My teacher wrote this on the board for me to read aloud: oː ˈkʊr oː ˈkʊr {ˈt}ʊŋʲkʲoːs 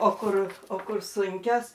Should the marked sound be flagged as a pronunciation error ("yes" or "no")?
yes